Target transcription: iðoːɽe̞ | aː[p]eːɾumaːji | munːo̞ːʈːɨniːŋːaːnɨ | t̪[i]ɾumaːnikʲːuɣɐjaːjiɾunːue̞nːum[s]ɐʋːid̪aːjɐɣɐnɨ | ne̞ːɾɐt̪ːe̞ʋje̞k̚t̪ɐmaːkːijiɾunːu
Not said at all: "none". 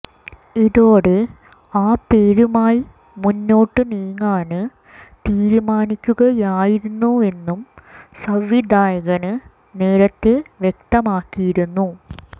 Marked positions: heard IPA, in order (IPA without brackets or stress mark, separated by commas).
p, iː, s